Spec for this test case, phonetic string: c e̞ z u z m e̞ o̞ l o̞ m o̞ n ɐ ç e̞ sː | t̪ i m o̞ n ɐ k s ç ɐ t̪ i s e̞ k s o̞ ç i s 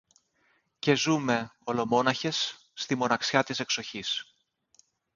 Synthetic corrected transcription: c e̞ z u m e̞ o̞ l o̞ m o̞ n ɐ ç e̞ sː | t̪ i m o̞ n ɐ k s ç ɐ t̪ i s e̞ k s o̞ ç i s